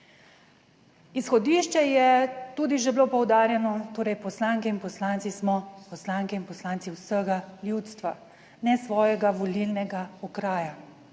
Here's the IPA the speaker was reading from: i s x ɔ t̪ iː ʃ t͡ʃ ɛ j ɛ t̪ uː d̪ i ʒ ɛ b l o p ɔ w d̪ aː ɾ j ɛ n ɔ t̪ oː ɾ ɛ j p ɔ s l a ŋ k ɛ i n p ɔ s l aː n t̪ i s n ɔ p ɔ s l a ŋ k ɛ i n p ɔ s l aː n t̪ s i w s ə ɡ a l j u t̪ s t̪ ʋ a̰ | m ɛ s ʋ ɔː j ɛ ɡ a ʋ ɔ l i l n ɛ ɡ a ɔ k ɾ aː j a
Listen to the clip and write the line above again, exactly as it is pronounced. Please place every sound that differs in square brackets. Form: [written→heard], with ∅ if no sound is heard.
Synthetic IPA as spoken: i s x ɔ [t̪→d̪] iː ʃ t͡ʃ ɛ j ɛ t̪ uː d̪ i ʒ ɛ b l o p ɔ w d̪ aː ɾ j ɛ n ɔ t̪ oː ɾ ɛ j p ɔ s l a ŋ k ɛ i n p ɔ s l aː n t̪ i s [n→m] ɔ p ɔ s l a ŋ k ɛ i n p ɔ s l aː n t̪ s i w s ə ɡ a l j u t̪ s t̪ ʋ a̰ | [m→n] ɛ s ʋ ɔː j ɛ ɡ a ʋ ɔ l i l n ɛ ɡ a ɔ k ɾ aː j a